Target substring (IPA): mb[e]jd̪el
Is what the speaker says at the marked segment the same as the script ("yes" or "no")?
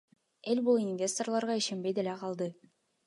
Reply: yes